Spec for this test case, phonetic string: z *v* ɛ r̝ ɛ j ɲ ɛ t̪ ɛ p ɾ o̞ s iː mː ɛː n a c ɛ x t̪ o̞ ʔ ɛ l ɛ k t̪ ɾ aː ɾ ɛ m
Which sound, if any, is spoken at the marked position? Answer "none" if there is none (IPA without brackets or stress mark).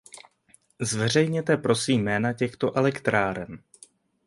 v